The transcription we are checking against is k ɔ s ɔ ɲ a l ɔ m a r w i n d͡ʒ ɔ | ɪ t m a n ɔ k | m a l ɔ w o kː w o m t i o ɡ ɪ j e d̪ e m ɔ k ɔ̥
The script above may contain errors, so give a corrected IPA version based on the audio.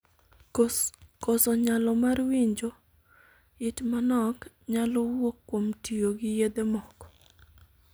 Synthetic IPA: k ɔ s ɔ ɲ a l ɔ m a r w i ɲ d͡ʒ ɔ | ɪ t m a n ɔ k | ɲ a l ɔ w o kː w o m t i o ɡ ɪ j e d̪ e m ɔ k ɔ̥